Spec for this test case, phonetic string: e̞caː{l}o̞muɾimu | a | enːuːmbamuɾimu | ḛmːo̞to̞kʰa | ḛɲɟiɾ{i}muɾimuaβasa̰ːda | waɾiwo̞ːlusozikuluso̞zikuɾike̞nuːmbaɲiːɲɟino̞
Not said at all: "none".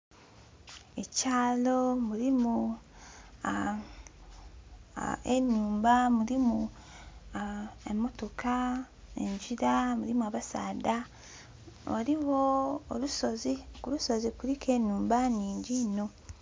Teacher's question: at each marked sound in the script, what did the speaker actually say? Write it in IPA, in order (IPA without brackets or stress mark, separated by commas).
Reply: l, a